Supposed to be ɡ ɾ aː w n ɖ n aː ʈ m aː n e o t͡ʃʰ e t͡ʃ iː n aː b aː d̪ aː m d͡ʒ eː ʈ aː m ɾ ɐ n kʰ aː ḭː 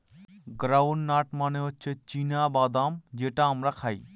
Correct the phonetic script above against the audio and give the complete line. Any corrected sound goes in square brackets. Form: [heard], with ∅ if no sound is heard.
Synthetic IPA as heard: ɡ ɾ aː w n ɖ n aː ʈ m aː n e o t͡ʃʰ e t͡ʃ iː n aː b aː d̪ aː m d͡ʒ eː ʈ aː m ɾ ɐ [∅] kʰ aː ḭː